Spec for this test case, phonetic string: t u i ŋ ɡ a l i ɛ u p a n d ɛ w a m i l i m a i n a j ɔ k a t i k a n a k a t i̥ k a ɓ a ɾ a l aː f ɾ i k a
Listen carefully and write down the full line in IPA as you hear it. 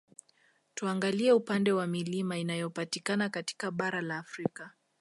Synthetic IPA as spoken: t u a ŋ ɡ a l i ɛ u p a n d ɛ w a m i l i m a i n a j ɔ p a t i k a n a k a t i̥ k a ɓ a ɾ a l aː f ɾ i k a

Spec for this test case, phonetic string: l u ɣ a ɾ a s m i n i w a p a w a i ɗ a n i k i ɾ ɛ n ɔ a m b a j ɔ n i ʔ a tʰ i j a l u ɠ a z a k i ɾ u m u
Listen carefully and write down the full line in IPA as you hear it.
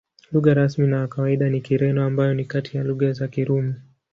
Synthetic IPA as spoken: l u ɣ a ɾ a s m i n a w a k a w a i ɗ a n i k i ɾ ɛ n ɔ a m b a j ɔ n i k a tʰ i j a l u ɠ a z a k i ɾ u m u

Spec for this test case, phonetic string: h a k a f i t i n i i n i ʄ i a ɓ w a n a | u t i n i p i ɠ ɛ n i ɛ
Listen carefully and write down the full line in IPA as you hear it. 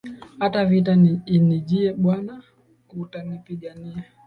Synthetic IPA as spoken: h a t a v i t a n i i n i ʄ i ɛ ɓ w a n a | u t a n i p i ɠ a n i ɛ

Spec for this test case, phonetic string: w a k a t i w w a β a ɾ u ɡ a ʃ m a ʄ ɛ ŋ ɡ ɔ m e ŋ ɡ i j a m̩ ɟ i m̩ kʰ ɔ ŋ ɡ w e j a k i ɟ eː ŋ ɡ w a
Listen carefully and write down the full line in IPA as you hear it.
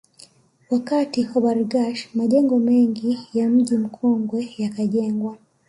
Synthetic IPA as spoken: w a k a t i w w a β a ɾ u ɡ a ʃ m a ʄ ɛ ŋ ɡ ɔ m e ŋ ɡ i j a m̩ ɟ i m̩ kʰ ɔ ŋ ɡ w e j a k a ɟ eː ŋ ɡ w a

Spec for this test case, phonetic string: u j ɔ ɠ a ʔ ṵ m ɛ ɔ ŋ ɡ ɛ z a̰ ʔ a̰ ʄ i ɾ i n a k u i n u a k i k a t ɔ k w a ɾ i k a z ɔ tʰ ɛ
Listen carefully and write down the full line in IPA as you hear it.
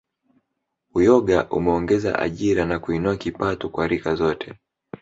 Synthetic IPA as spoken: u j ɔ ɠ a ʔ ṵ m ɛ ɔ ŋ ɡ ɛ z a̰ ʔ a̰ ʄ i ɾ a n a k u i n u a k i p a t ɔ k w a ɾ i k a z ɔ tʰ ɛ

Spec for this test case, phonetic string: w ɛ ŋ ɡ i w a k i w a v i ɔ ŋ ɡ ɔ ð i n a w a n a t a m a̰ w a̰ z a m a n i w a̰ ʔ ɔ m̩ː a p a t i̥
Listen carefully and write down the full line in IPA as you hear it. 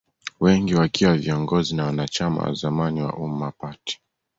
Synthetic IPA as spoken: w ɛ ŋ ɡ i w a k i w a v i ɔ ŋ ɡ ɔ z i n a w a n a t͡ʃ a m a̰ w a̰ z a m a n i w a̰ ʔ u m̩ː a p a t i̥

